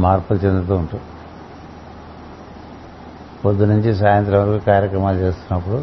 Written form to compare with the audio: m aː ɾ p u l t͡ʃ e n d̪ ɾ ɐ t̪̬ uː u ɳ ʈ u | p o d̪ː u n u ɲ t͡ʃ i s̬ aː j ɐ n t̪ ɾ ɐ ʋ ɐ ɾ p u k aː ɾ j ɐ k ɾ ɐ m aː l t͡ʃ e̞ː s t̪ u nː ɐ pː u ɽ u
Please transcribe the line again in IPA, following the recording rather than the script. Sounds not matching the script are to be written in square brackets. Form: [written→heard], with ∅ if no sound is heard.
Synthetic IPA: m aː ɾ p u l t͡ʃ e n d̪ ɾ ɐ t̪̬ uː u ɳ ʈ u | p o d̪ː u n u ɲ t͡ʃ i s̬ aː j ɐ n t̪ ɾ ɐ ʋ ɐ ɾ [p→k] u k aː ɾ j ɐ k ɾ ɐ m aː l t͡ʃ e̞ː s t̪ u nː ɐ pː u ɽ u